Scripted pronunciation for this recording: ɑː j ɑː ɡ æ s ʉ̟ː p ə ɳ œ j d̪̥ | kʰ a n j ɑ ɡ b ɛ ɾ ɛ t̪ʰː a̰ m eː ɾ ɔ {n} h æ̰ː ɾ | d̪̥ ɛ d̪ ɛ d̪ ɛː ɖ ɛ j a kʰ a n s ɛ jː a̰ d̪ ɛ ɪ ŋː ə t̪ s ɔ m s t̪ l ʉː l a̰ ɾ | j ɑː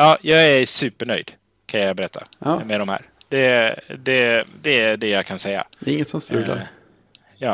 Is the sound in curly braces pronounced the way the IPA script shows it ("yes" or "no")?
no